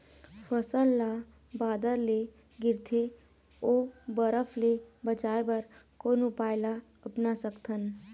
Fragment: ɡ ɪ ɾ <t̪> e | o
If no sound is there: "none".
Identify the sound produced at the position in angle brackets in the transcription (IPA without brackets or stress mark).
t̪ʰ